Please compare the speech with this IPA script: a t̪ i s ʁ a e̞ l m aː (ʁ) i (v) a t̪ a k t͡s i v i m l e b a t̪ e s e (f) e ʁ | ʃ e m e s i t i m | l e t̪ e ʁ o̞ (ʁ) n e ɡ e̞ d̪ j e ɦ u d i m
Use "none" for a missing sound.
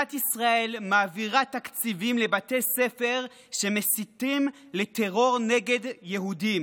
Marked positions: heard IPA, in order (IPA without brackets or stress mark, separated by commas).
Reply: v, ʁ, f, ʁ